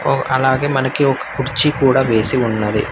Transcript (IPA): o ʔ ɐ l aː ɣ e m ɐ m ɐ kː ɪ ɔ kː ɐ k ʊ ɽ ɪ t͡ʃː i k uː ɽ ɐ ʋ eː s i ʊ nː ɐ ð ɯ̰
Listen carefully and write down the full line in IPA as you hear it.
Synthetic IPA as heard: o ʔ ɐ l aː ɣ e m ɐ n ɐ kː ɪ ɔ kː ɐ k ʊ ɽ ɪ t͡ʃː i k uː ɽ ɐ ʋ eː s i ʊ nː ɐ ð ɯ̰